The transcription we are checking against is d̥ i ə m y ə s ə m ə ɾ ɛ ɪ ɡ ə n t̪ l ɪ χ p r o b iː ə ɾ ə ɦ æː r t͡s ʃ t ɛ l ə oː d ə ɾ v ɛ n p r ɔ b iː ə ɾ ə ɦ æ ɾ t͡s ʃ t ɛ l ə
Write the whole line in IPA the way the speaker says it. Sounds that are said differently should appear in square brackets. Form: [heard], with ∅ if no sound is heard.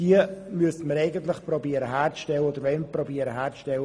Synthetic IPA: d̥ i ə m y ə s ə m ə ɾ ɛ ɪ ɡ ə n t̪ l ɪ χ p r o b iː ə ɾ ə ɦ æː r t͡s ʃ t ɛ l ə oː d ə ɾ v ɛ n p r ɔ b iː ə ɾ ə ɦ [æː] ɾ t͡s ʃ t ɛ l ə